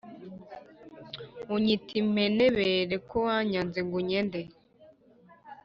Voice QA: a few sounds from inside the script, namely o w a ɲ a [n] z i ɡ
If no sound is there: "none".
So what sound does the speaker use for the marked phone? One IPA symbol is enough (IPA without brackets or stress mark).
n